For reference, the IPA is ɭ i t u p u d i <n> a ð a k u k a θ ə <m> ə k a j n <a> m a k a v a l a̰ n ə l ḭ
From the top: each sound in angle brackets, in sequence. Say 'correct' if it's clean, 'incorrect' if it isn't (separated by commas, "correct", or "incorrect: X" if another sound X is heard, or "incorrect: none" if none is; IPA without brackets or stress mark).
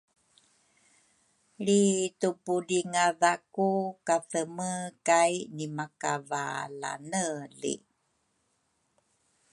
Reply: incorrect: ŋ, correct, incorrect: i